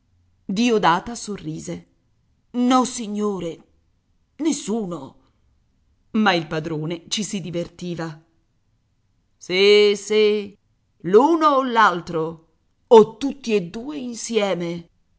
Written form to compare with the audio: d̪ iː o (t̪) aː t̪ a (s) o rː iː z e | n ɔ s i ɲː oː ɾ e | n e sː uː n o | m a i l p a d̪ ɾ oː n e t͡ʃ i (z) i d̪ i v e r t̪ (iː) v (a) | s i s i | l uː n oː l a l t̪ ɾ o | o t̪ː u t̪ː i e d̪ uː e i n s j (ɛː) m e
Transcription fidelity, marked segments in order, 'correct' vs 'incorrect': incorrect: d̪, correct, incorrect: s, correct, correct, correct

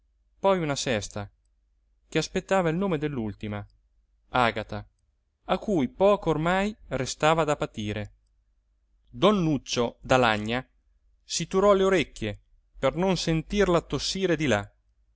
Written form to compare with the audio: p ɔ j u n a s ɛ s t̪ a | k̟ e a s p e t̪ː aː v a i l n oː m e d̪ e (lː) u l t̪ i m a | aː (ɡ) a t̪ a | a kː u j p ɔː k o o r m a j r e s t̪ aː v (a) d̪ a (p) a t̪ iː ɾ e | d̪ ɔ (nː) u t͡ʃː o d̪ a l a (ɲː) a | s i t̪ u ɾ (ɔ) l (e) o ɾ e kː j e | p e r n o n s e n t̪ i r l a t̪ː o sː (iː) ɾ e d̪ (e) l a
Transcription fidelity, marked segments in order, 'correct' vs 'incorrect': correct, correct, correct, correct, correct, correct, correct, correct, correct, incorrect: i

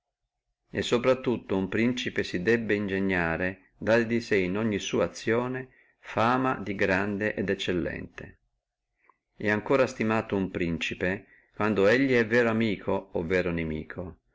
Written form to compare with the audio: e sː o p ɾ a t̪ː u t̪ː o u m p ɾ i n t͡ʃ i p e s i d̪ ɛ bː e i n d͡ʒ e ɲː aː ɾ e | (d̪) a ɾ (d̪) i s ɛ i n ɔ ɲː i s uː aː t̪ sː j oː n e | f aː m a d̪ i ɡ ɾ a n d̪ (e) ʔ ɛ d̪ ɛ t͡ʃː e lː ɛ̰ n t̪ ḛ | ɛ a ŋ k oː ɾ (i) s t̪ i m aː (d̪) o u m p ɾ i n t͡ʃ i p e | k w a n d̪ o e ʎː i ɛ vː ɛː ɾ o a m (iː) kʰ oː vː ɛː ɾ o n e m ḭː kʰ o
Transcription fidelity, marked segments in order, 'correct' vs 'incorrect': correct, correct, correct, incorrect: a, incorrect: t̪, correct

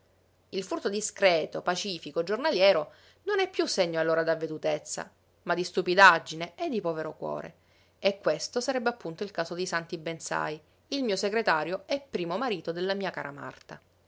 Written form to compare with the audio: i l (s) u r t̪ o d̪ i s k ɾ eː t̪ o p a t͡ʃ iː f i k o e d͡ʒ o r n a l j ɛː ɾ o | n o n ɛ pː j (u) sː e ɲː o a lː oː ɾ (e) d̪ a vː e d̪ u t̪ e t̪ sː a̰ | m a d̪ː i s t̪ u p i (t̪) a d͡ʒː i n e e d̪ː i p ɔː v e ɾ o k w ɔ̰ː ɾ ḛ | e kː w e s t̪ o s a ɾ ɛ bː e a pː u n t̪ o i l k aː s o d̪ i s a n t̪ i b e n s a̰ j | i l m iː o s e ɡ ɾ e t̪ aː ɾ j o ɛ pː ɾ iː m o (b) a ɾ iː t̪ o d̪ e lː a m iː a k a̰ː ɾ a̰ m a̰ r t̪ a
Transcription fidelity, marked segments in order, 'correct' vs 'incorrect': incorrect: f, correct, incorrect: a, incorrect: d̪, incorrect: m

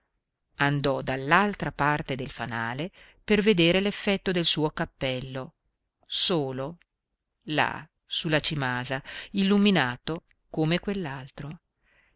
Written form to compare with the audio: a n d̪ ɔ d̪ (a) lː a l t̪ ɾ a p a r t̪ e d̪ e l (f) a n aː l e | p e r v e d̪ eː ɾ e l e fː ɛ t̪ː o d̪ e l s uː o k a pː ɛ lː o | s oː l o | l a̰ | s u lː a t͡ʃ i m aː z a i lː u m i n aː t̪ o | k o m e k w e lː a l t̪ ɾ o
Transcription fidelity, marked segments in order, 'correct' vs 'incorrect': correct, correct

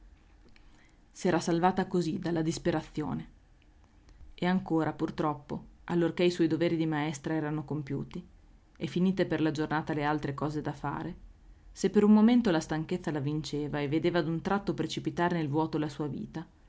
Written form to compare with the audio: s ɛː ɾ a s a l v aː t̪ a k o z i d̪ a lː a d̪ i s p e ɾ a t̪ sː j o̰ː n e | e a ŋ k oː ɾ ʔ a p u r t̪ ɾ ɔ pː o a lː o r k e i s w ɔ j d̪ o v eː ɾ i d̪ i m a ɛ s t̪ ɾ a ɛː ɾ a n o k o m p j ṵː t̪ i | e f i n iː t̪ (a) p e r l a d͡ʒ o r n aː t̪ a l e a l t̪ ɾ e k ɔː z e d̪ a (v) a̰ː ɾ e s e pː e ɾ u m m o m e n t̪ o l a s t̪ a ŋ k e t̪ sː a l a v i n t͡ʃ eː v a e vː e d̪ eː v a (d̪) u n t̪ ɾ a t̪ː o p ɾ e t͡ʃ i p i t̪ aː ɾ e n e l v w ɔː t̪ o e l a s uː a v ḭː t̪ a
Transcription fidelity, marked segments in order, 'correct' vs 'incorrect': incorrect: e, incorrect: f, correct

